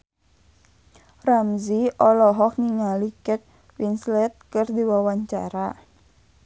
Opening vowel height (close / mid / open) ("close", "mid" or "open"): open